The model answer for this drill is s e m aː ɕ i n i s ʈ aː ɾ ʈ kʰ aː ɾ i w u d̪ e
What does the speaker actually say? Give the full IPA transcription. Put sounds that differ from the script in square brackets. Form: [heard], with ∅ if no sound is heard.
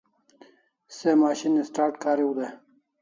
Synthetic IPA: s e m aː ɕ i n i s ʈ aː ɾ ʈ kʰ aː ɾ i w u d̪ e